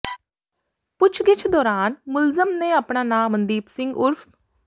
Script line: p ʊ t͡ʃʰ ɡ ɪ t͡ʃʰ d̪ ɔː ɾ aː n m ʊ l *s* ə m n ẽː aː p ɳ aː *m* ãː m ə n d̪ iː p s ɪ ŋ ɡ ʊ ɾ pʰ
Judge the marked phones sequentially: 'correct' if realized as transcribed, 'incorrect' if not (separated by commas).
incorrect, incorrect